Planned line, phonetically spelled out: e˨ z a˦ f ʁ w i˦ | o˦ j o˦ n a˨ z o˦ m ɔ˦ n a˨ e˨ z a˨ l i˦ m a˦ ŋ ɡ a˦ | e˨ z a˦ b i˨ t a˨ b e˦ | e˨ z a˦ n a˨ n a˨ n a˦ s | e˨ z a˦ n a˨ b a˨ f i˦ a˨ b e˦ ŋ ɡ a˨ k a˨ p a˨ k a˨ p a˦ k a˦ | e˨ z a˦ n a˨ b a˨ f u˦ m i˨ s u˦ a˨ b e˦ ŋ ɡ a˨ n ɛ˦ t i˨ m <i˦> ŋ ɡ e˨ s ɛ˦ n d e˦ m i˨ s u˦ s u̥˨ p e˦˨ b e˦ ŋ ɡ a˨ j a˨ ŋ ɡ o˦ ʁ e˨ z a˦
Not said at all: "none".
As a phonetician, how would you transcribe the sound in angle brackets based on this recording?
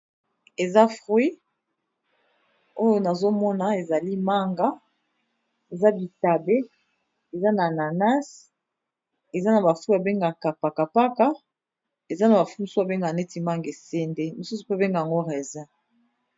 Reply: a˦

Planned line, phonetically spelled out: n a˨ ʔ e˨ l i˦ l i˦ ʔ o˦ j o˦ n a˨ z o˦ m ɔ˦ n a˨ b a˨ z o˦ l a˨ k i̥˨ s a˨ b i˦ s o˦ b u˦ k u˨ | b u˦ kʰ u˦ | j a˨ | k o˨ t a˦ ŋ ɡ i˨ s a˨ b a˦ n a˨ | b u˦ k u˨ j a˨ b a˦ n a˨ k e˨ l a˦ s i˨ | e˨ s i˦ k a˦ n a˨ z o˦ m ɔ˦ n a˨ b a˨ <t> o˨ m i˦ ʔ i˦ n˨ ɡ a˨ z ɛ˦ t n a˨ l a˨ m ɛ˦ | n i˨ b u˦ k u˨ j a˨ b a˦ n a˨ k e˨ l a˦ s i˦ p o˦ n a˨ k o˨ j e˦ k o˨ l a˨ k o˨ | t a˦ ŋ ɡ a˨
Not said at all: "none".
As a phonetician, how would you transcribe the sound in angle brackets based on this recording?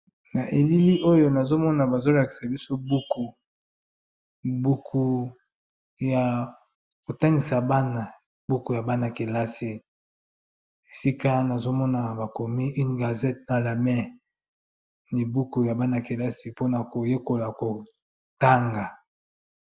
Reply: k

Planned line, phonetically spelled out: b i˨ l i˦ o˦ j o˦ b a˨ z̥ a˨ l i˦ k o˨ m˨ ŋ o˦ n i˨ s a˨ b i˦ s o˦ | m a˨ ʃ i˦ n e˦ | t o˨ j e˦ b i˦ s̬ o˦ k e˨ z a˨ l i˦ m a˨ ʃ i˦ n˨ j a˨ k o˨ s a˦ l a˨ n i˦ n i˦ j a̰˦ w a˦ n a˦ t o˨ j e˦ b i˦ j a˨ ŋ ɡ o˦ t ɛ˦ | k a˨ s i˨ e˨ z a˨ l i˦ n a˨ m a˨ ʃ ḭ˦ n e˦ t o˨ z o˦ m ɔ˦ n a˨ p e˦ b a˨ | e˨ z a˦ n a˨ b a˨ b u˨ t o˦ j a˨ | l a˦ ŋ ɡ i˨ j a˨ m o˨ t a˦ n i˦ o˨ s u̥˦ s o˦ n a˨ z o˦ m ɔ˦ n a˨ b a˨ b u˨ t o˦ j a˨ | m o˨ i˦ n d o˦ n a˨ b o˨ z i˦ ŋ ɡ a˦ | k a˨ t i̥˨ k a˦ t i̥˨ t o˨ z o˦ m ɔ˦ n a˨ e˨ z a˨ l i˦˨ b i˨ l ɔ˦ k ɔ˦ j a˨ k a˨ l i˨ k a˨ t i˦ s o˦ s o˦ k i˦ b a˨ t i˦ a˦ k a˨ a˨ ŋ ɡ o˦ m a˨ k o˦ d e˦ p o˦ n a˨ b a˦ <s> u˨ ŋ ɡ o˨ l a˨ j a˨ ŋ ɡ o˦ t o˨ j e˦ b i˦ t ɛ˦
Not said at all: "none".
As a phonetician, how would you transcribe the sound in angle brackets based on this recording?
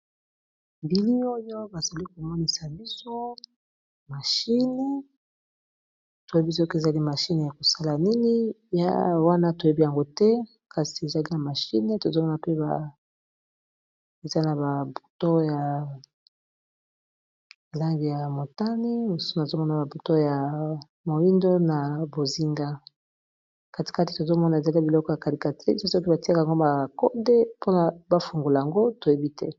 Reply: f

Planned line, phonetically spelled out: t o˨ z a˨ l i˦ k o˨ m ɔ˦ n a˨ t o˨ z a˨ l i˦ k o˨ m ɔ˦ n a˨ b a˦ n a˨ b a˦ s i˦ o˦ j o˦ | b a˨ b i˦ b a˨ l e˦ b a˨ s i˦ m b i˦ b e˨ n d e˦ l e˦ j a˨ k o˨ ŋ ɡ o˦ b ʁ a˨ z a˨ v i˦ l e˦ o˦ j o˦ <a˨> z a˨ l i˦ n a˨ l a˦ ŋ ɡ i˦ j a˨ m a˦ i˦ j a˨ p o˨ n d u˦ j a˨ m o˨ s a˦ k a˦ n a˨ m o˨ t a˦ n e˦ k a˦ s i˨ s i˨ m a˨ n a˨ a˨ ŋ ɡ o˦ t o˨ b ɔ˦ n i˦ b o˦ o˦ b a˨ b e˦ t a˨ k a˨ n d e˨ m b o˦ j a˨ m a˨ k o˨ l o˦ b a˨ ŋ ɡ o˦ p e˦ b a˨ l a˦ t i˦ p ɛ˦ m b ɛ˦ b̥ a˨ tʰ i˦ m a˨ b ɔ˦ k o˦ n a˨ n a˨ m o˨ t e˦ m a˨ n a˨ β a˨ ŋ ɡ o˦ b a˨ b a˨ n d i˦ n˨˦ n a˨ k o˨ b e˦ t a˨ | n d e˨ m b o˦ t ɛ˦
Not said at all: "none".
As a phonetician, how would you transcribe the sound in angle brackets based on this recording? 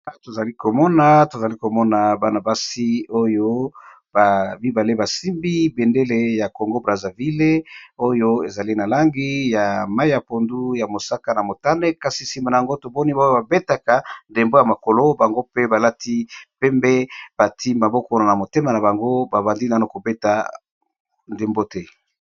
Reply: e˨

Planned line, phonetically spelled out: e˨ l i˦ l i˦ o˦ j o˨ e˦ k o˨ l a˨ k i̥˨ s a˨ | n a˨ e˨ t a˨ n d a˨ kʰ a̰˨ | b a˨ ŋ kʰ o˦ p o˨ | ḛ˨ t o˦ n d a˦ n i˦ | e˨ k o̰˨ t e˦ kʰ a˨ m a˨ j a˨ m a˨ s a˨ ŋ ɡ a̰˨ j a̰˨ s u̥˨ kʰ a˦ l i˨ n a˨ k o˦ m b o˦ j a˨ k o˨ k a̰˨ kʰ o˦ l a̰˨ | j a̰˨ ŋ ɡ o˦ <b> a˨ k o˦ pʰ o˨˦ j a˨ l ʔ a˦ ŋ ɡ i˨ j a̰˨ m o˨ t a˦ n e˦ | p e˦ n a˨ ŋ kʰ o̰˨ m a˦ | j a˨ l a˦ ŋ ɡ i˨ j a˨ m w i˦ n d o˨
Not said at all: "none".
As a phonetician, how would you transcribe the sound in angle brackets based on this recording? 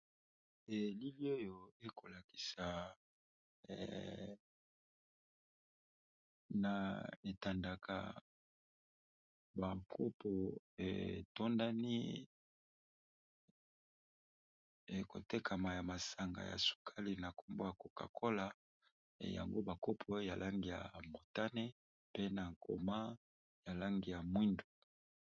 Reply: b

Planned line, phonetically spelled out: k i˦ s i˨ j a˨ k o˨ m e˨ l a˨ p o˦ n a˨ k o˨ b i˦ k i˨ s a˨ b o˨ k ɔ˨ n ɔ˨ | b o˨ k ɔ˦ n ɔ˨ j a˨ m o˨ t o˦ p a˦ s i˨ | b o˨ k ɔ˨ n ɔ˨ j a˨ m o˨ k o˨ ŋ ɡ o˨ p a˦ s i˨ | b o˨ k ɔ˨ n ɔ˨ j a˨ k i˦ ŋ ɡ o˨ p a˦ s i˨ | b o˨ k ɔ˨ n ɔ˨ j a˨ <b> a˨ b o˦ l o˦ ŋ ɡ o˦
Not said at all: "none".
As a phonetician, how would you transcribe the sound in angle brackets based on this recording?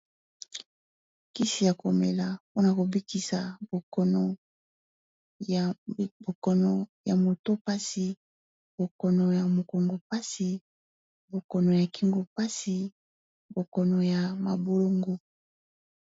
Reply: m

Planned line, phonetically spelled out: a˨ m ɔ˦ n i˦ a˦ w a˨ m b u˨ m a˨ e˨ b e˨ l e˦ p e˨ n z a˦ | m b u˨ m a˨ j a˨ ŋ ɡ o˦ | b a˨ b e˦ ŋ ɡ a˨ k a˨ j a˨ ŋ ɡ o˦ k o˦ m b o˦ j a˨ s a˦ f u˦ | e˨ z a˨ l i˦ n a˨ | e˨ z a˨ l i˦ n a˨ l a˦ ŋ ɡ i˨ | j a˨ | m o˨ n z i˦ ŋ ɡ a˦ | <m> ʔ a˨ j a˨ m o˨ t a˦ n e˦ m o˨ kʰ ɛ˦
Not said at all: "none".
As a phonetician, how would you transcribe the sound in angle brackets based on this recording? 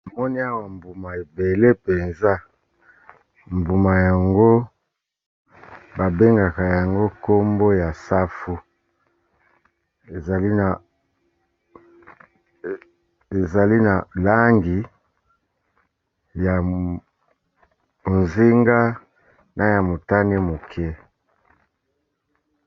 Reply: n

